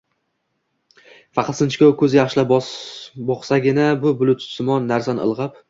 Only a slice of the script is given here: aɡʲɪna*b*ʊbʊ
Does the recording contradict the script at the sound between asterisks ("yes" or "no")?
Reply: no